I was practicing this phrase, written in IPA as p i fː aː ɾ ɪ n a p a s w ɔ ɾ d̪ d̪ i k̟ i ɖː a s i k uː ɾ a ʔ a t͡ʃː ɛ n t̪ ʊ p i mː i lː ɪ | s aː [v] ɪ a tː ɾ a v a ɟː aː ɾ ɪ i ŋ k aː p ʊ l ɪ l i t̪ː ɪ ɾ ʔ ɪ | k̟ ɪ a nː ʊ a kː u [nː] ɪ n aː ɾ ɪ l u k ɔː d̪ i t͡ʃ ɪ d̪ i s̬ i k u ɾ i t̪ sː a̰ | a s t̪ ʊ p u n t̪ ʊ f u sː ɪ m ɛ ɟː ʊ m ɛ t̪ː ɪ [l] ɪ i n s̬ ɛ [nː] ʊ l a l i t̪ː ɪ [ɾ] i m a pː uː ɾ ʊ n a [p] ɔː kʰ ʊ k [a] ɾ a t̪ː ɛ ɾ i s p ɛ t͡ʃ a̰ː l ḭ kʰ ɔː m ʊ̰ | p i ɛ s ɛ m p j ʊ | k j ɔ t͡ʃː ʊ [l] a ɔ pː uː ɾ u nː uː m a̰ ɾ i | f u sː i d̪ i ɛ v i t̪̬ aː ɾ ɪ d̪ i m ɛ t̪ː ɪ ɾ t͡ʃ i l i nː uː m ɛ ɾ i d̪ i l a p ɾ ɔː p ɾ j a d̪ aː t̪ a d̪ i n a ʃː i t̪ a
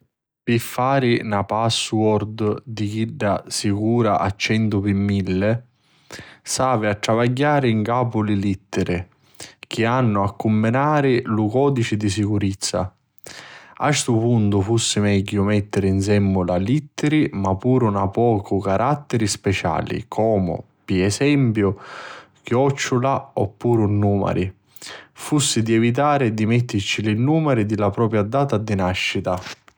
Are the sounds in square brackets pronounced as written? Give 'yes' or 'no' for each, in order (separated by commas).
yes, no, no, no, yes, yes, yes, yes